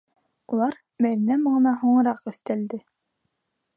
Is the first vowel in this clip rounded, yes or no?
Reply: yes